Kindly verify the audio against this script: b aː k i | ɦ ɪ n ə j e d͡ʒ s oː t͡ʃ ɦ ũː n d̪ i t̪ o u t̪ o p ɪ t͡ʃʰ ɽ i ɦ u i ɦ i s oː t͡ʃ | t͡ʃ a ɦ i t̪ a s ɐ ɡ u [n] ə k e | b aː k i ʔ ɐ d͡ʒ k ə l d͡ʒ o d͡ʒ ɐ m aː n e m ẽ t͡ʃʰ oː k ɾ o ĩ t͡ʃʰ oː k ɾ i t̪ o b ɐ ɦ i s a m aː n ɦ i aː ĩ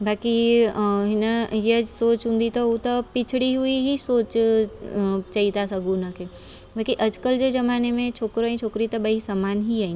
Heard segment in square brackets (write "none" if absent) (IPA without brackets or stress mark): n